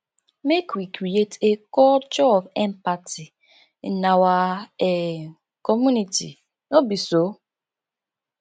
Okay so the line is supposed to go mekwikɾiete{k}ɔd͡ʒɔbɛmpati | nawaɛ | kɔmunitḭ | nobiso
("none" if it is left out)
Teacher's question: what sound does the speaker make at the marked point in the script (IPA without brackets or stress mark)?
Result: k